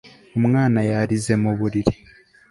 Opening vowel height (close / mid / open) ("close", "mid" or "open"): mid